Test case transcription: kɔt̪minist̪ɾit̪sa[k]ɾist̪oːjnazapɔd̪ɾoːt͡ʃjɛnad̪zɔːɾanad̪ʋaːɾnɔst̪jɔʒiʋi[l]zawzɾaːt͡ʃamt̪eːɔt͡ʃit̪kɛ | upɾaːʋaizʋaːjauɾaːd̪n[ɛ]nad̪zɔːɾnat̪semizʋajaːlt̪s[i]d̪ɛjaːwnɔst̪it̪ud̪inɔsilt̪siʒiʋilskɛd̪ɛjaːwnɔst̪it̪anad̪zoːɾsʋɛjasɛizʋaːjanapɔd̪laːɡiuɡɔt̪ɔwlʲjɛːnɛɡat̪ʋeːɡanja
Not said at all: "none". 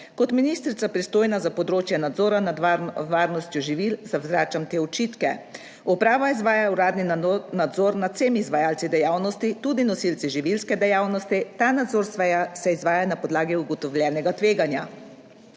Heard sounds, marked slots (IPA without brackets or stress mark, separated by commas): p, l, i, i